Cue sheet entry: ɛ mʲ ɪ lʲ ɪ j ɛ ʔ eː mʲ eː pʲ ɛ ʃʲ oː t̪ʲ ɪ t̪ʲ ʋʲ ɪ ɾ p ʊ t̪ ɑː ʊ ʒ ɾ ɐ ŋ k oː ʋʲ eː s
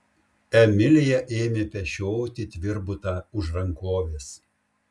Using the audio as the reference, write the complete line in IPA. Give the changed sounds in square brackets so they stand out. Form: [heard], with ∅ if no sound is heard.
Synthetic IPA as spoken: ɛ mʲ ɪ lʲ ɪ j ɛ ʔ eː mʲ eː pʲ ɛ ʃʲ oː t̪ʲ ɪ t̪ʲ ʋʲ ɪ ɾ [b] ʊ t̪ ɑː ʊ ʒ ɾ ɐ ŋ k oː ʋʲ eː s